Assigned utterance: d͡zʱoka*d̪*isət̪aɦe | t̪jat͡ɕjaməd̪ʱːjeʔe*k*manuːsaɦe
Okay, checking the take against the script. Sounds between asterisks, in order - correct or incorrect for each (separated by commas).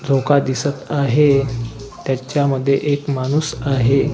correct, correct